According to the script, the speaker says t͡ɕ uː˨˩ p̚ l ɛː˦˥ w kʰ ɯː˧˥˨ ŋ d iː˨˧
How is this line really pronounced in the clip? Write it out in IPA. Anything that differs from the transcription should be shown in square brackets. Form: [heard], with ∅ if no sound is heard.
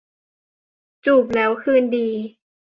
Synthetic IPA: t͡ɕ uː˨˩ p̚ l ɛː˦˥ w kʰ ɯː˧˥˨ [n] d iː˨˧